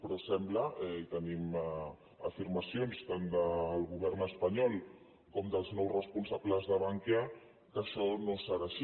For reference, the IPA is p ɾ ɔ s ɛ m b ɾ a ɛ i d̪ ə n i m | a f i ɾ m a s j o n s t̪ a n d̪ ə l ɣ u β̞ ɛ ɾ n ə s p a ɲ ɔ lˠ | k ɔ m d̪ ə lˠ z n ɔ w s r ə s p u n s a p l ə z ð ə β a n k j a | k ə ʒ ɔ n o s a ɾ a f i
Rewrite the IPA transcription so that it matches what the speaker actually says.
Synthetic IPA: p ɾ ɔ s ɛ m b l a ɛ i t̪ ə n i m | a f i ɾ m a s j o n s t̪ a n d̪ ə l ɣ u β̞ ɛ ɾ n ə s p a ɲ ɔ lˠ | k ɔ m d̪ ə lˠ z n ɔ w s r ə s p u n s a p l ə z ð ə β a ŋ k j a | k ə ʃ ɔ n o s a ɾ a ʃ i